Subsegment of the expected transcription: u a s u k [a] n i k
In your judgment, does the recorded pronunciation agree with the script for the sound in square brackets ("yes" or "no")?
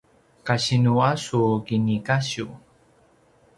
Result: no